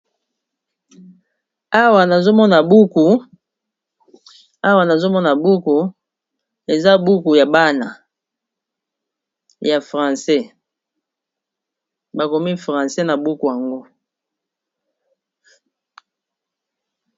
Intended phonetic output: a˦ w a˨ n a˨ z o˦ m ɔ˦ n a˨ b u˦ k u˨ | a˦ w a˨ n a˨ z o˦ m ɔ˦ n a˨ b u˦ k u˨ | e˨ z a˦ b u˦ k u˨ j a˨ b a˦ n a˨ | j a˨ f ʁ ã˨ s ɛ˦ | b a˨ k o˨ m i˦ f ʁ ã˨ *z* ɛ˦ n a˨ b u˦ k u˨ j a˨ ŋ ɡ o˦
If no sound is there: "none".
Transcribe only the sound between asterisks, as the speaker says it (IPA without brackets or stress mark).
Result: s